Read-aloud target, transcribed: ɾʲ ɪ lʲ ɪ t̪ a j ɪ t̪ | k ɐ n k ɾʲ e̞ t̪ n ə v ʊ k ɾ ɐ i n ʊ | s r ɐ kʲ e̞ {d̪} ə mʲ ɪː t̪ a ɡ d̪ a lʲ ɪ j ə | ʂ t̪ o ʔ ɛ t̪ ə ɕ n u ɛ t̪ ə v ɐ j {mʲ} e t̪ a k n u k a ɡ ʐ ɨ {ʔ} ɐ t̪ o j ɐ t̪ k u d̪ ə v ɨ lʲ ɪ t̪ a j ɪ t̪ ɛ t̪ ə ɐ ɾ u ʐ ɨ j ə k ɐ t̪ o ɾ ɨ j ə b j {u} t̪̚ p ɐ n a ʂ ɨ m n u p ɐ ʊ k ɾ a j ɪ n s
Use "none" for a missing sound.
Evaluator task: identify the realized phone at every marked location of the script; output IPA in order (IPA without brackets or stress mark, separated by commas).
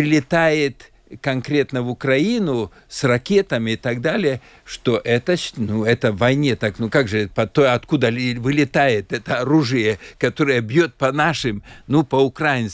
t̪, nʲ, p, o